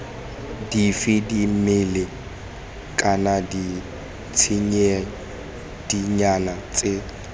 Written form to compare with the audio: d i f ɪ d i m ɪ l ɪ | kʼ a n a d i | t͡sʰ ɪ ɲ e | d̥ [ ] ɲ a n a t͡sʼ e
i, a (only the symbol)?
i